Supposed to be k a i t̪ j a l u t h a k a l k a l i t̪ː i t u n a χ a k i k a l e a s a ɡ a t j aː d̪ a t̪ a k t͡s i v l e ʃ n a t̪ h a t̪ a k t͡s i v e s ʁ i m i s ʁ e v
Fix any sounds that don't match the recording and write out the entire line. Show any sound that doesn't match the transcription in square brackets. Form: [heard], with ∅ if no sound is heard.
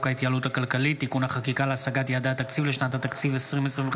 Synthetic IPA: k a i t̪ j a l u t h a k a l k a l i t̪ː i [k] u n a χ a k i k a l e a s a ɡ a t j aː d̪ a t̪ a k t͡s i v l e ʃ n a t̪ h a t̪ a k t͡s i v e s ʁ i m [e] s ʁ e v